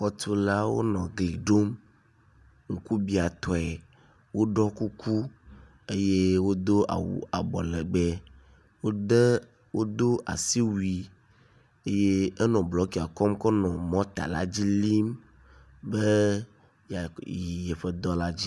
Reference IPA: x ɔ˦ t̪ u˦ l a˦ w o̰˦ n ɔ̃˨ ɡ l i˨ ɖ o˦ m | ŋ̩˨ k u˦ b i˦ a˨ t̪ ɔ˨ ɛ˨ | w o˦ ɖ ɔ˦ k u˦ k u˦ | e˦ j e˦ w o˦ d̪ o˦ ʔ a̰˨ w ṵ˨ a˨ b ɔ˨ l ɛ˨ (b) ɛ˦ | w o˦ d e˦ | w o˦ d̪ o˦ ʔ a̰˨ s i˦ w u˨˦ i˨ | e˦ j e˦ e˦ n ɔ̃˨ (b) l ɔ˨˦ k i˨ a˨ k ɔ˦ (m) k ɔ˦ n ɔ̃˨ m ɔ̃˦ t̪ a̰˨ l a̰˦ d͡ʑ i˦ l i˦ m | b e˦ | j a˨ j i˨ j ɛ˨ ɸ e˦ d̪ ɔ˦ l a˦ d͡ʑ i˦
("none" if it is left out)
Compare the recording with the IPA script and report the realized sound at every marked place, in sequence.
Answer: ɡ͡b, b, m

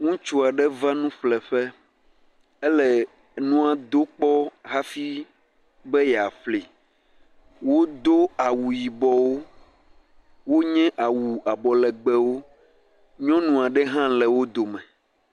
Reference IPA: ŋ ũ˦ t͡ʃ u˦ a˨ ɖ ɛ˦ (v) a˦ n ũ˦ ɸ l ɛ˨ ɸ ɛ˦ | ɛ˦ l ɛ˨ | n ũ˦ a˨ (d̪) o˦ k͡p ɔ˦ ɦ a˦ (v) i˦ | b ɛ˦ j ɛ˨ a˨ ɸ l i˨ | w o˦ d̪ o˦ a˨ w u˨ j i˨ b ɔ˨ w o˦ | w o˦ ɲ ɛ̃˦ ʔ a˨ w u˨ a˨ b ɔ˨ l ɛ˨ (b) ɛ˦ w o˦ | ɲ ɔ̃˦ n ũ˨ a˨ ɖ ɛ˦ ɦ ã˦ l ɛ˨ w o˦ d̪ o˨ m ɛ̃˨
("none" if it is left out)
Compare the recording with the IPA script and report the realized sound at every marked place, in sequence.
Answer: v, d̪, f, ɡ͡b

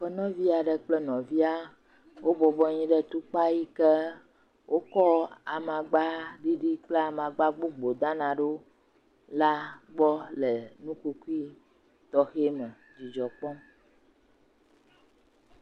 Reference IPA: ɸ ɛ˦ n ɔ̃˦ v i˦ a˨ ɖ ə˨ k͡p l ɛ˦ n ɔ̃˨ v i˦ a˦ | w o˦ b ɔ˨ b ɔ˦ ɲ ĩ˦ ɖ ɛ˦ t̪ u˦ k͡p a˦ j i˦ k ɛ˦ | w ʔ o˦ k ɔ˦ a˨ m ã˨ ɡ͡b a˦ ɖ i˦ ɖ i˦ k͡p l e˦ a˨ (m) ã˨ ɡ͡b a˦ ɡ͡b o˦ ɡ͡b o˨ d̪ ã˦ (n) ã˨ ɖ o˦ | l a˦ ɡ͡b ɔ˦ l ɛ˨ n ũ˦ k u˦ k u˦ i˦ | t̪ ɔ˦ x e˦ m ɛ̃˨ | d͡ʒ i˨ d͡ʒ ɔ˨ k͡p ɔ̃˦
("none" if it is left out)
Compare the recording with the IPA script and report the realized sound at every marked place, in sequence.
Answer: m, n

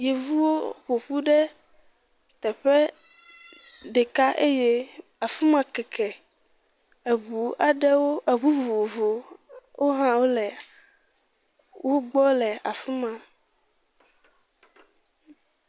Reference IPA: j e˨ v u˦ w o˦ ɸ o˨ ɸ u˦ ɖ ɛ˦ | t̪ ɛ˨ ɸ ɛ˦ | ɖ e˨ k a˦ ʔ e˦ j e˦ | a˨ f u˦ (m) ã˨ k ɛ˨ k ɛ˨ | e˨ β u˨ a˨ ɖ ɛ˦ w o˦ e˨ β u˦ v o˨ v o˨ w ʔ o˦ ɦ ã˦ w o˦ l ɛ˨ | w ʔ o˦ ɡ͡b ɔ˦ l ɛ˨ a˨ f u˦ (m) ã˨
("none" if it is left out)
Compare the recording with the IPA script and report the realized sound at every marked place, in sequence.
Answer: m, m

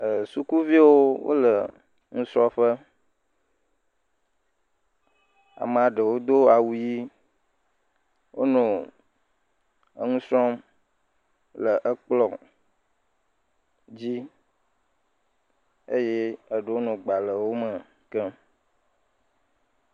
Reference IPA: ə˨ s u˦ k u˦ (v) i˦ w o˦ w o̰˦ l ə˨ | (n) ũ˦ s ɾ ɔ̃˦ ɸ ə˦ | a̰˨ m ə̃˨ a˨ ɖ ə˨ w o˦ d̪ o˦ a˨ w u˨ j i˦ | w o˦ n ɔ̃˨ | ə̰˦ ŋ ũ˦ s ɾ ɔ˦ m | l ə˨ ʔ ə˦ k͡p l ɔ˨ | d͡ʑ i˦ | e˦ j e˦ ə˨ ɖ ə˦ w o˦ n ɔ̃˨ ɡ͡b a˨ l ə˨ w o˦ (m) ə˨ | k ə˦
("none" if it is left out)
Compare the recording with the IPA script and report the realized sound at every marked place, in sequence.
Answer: v, ŋ, m

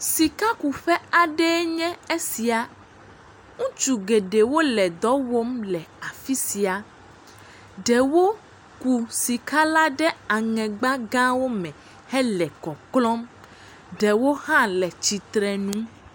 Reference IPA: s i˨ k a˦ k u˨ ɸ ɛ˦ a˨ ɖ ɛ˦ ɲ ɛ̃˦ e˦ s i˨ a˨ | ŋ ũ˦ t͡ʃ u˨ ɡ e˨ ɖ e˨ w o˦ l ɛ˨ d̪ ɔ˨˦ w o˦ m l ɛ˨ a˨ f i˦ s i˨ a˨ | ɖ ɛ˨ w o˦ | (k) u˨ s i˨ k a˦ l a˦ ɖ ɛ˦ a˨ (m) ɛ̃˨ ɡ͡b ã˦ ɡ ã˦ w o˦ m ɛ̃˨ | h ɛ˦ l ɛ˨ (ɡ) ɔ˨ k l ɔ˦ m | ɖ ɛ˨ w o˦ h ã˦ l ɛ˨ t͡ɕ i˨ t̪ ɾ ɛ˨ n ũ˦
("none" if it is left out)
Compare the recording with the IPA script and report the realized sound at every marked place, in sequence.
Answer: k, ŋ, k

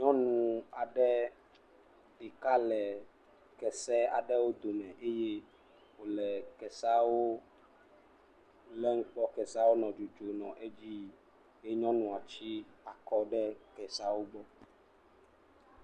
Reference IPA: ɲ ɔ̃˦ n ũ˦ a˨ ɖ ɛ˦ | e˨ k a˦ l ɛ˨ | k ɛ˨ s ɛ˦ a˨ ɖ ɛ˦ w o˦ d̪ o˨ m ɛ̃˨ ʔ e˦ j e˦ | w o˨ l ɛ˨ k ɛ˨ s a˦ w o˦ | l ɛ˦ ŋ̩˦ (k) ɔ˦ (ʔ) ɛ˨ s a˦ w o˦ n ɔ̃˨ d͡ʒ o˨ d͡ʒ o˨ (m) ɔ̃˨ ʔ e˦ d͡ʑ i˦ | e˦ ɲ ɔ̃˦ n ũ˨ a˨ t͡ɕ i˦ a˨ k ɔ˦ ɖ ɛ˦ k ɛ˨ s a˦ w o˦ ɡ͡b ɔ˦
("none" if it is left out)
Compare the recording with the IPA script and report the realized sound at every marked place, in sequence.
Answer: k͡p, k, n

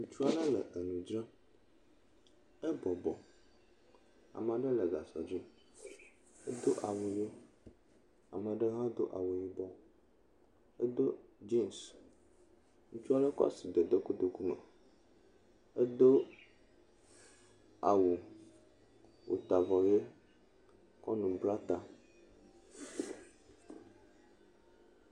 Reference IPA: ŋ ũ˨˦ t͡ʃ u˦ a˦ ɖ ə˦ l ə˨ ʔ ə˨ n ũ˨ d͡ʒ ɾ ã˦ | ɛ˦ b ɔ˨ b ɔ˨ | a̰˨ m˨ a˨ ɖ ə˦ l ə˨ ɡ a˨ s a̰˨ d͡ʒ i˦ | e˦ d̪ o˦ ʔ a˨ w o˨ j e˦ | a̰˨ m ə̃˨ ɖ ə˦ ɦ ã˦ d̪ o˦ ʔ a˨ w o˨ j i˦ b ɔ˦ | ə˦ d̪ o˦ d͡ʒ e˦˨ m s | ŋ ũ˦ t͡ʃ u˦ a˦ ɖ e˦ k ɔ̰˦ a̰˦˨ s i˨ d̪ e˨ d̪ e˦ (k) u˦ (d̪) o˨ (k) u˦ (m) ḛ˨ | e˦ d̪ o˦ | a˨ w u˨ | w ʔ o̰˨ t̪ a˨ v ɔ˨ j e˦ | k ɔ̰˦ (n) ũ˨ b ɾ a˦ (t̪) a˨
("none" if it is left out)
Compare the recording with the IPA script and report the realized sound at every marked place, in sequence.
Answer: k, d̪, k, m, n, t̪

